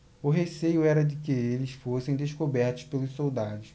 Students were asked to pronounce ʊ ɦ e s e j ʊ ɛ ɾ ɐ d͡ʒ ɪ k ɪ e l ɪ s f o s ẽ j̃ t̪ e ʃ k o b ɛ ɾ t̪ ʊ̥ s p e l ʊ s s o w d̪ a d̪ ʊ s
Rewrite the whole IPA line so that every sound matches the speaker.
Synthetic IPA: ʊ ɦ e s e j ʊ ɛ ɾ ɐ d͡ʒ ɪ k ɪ e l ɪ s f o s ẽ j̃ d̪ e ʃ k o b ɛ ɾ t̪ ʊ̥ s p e l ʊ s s o w d̪ a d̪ ʊ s